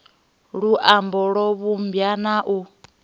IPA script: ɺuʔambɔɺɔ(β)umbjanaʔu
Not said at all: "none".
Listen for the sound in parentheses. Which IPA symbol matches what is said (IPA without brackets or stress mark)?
β